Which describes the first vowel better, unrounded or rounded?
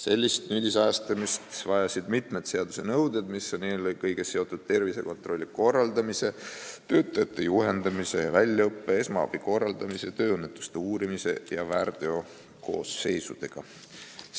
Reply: unrounded